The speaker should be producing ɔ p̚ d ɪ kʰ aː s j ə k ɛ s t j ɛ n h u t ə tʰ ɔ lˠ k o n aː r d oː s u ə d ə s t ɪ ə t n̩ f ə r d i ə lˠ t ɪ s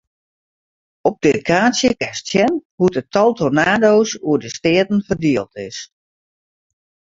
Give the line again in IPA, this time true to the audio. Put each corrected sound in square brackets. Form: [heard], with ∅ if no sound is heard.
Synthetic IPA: ɔ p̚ d ɪ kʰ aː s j ə k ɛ s t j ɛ n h u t ə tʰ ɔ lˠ [t] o n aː [∅] d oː s u ə d ə s t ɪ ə t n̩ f ə r d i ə lˠ t ɪ s